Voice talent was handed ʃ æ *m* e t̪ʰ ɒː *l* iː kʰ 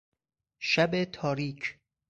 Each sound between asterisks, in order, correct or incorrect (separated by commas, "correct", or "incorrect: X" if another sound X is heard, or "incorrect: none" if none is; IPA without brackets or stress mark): incorrect: b, incorrect: ɾ